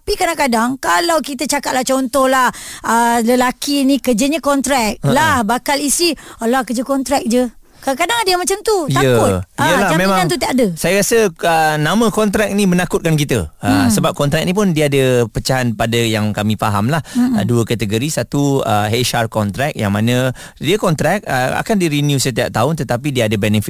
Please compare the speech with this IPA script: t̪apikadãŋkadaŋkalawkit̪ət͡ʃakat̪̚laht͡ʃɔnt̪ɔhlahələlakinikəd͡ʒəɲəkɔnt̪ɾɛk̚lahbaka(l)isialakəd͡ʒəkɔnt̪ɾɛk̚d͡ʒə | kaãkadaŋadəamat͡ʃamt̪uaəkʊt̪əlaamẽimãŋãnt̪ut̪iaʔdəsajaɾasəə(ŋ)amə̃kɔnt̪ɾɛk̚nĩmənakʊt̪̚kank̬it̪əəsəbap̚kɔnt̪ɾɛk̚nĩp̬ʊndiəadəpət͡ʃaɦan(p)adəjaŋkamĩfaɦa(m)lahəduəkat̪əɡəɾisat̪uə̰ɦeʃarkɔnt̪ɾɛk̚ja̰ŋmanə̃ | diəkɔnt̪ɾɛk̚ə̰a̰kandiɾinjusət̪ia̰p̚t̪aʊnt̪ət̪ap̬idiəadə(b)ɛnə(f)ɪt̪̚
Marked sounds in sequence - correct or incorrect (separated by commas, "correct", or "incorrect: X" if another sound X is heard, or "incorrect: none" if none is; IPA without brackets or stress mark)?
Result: correct, incorrect: n, correct, correct, correct, correct